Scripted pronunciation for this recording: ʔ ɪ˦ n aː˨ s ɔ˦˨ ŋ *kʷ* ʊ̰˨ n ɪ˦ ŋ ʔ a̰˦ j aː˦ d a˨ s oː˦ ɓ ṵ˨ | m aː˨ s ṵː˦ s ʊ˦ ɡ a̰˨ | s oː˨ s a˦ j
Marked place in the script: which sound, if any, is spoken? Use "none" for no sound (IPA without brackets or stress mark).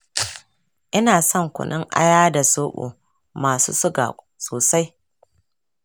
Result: kʷ